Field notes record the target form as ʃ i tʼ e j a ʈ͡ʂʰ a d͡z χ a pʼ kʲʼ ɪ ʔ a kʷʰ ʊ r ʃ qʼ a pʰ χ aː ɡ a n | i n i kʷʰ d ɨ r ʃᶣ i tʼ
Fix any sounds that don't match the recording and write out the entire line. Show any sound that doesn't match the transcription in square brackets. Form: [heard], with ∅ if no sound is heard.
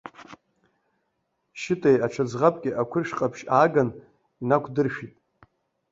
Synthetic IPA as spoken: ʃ [ɪ] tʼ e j a ʈ͡ʂʰ a d͡z [ʁ] a pʼ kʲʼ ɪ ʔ a kʷʰ ʊ r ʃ qʼ a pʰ [ʃ] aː ɡ a n | i n [a] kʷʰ d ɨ r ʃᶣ i tʼ